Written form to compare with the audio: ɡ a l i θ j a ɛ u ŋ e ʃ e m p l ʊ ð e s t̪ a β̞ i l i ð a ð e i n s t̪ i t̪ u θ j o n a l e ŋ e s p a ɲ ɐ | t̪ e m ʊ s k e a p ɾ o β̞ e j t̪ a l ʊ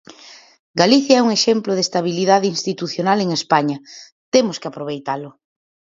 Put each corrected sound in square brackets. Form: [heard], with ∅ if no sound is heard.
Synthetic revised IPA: ɡ a l i θ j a ɛ u ŋ e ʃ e m p l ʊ ð e s t̪ a β̞ i l i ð a ð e i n s t̪ i t̪ u θ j o n a l e ŋ e s p a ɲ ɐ | t̪ e m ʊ s k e a p ɾ o β̞ e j t̪ a l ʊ